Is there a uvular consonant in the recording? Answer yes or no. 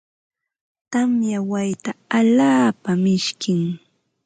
no